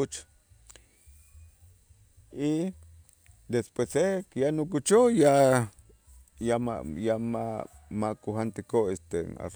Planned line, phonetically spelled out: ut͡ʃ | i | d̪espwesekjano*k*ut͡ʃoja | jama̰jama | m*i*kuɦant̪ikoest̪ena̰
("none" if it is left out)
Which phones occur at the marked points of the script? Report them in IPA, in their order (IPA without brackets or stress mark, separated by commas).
k, a